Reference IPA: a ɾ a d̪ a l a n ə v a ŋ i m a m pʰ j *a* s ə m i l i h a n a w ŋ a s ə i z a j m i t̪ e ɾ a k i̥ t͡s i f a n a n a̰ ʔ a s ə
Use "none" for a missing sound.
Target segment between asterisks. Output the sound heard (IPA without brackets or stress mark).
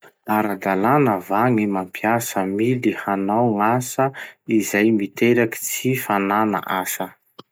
a